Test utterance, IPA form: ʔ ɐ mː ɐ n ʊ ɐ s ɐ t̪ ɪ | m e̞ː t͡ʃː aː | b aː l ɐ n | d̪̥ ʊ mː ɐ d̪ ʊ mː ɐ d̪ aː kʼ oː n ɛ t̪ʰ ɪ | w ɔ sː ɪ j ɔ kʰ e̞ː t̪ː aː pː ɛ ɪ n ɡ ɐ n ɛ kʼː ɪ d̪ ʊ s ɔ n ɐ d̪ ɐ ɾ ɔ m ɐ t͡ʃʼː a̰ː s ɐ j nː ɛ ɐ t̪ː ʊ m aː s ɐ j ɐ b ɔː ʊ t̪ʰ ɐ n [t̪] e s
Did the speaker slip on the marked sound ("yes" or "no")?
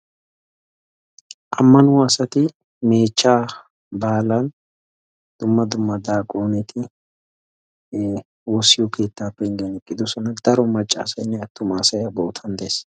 yes